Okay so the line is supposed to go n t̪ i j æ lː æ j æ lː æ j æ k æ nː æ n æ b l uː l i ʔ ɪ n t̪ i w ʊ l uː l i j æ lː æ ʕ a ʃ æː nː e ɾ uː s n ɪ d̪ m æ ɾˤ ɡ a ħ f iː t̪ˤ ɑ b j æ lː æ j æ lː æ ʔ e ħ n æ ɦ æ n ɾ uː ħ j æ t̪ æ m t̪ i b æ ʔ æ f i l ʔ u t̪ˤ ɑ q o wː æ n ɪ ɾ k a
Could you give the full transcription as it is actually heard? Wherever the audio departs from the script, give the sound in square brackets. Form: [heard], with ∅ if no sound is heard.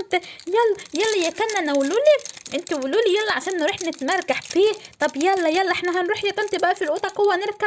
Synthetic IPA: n t̪ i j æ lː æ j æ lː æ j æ k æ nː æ n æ [w] l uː l i ʔ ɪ n t̪ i w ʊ l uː l i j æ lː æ ʕ a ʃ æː nː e ɾ uː [ħ] n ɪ [t̪] m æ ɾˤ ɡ a ħ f iː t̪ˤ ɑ b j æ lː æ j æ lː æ ʔ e ħ n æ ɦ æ n ɾ uː ħ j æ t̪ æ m t̪ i b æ ʔ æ f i l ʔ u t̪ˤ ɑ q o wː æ n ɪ ɾ k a